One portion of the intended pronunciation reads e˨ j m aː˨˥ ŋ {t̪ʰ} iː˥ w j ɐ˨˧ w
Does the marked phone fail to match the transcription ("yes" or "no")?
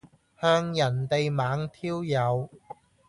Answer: no